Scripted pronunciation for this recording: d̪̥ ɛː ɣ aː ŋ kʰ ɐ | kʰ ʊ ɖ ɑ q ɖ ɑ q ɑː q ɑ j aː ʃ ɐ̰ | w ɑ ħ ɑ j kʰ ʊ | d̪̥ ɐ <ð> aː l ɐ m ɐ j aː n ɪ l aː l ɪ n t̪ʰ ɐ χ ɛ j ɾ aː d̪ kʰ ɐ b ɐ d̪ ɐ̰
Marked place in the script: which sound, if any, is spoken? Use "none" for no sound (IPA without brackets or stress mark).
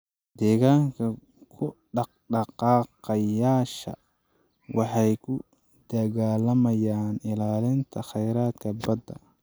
ɣ